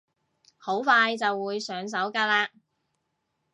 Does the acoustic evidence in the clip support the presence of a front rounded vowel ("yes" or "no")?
yes